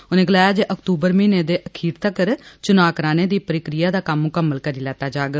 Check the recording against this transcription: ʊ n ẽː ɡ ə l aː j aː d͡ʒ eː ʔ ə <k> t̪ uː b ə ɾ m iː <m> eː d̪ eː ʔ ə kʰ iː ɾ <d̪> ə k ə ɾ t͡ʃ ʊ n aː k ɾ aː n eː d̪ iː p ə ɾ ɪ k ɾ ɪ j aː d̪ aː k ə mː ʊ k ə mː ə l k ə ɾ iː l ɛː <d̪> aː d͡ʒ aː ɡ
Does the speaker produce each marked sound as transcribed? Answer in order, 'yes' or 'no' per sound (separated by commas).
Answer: yes, no, no, no